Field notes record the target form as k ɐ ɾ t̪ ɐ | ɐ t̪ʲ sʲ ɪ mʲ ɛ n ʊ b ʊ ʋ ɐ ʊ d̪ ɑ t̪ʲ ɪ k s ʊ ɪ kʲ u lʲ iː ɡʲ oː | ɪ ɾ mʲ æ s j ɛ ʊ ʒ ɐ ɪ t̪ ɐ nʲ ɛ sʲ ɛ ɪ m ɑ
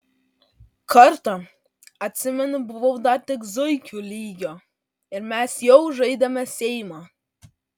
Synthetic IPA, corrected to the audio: k ɐ ɾ t̪ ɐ | ɐ t̪ʲ sʲ ɪ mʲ ɛ n ʊ b ʊ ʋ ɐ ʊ d̪ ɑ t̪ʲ ɪ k z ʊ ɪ kʲ u lʲ iː ɡʲ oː | ɪ ɾ mʲ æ s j ɛ ʊ ʒ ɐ ɪ d̪ ɐ mʲ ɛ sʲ ɛ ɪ m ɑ